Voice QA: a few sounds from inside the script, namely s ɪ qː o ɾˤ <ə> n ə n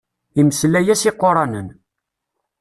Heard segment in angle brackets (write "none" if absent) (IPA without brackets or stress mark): ɑ